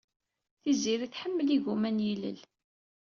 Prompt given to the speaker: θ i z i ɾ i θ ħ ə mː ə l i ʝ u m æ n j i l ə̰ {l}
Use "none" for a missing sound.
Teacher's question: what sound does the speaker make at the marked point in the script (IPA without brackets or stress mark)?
l